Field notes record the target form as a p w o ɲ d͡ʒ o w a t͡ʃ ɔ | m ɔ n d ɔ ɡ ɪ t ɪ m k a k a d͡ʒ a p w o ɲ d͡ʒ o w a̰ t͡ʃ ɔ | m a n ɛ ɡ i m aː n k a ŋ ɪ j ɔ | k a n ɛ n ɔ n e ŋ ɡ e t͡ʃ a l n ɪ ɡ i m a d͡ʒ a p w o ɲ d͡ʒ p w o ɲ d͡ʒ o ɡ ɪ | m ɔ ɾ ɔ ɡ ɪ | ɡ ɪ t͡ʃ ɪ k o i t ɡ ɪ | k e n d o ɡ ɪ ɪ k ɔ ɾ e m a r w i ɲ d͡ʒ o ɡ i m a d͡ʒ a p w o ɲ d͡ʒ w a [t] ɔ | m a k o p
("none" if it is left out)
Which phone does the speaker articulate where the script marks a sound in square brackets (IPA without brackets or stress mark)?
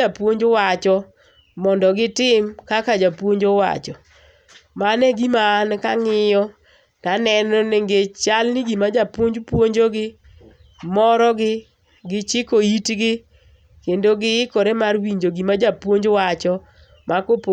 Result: t͡ʃ